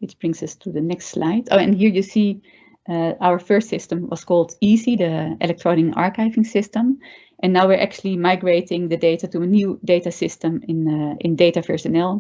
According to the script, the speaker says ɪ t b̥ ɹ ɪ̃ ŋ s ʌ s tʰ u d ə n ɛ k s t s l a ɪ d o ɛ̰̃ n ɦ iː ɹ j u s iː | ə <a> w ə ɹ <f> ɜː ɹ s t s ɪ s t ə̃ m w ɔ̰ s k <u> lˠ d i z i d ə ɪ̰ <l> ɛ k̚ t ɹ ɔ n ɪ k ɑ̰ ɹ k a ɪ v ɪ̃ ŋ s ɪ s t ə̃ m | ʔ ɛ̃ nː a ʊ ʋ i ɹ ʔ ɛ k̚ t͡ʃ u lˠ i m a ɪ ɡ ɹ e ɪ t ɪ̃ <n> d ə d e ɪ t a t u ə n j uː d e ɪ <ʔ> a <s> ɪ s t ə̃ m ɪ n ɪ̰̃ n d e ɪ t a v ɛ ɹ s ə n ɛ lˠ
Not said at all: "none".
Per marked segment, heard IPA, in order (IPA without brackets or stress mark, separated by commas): a, f, ɔ, l, ŋ, t, s